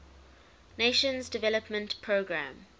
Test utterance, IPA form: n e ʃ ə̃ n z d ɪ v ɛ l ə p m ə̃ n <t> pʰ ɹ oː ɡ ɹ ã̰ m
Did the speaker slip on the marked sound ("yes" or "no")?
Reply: no